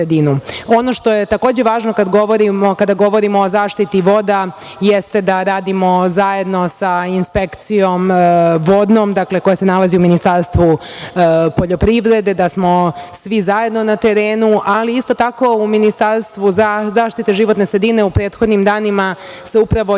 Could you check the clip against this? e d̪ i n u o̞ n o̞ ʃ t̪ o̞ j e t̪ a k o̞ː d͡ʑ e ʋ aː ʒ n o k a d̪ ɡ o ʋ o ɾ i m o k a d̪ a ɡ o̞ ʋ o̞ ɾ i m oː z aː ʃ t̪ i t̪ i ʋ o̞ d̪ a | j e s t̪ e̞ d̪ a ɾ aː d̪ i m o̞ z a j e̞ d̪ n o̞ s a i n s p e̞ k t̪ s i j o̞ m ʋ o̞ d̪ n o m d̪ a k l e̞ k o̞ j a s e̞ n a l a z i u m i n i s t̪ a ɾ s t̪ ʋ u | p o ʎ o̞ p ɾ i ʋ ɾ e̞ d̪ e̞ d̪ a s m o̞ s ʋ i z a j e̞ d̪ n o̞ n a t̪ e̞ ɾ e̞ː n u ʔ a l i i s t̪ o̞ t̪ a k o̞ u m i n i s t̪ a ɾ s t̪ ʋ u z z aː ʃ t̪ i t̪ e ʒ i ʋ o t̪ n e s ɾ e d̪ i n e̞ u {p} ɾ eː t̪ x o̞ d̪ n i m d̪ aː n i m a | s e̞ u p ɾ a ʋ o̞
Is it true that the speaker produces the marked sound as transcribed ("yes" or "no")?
yes